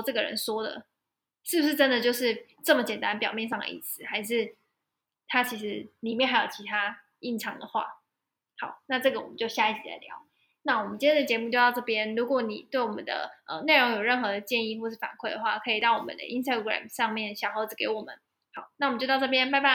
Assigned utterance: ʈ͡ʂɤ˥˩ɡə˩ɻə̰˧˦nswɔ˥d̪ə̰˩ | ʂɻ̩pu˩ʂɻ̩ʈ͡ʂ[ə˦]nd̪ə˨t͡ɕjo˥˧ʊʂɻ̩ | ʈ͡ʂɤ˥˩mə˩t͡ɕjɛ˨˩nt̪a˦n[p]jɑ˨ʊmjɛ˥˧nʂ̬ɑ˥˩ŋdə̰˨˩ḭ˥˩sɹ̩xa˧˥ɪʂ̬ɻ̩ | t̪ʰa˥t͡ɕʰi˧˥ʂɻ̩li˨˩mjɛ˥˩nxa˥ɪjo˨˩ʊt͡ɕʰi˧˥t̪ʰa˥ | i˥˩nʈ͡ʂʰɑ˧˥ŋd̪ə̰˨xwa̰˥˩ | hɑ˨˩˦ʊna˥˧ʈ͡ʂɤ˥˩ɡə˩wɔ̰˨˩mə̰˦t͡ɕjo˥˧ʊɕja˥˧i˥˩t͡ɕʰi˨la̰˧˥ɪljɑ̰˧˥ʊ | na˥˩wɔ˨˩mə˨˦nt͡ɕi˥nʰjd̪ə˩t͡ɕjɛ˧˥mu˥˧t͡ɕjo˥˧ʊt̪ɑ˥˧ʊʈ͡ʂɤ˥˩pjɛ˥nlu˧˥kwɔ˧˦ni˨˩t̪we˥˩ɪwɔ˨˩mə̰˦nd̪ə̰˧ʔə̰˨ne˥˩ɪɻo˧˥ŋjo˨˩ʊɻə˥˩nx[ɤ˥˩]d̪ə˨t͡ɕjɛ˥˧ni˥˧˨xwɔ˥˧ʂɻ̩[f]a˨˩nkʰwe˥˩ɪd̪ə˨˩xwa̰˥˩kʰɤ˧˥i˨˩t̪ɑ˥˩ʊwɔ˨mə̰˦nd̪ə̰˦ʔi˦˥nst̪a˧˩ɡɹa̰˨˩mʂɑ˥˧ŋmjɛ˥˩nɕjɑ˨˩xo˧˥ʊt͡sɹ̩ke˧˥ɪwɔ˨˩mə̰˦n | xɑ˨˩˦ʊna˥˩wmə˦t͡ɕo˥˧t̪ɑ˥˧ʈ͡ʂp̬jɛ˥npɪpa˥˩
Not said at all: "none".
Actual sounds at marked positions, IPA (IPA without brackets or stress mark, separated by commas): ə˦, p, ɤ˧˥, f